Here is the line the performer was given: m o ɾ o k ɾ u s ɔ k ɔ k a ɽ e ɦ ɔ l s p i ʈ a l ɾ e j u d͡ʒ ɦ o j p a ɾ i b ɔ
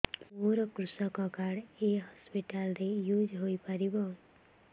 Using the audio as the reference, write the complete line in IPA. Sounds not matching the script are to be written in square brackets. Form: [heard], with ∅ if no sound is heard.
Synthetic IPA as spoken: m o ɾ [ɔ] k ɾ u s ɔ k ɔ k a ɽ e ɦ ɔ [∅] s p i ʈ a l ɾ e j u d͡ʒ ɦ o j p a ɾ i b ɔ